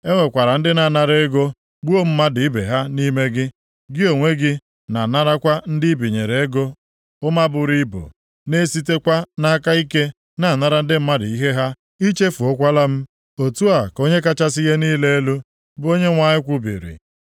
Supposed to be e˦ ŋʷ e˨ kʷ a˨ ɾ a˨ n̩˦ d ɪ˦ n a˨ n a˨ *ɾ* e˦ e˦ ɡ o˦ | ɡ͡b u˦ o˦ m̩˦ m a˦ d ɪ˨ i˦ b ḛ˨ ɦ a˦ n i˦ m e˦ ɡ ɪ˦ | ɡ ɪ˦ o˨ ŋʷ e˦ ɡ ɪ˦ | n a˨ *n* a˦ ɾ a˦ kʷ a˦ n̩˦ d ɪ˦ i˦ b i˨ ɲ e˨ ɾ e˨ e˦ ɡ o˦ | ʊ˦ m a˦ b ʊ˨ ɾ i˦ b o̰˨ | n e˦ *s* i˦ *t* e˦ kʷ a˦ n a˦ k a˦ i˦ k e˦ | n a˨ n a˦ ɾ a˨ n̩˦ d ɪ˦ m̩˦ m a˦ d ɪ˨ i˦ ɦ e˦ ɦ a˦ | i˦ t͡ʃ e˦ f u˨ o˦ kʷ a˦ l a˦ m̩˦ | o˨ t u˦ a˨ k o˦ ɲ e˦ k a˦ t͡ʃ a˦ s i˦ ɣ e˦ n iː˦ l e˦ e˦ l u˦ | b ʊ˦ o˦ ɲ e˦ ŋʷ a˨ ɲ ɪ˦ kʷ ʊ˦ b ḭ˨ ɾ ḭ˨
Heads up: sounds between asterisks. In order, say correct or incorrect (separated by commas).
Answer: correct, correct, correct, correct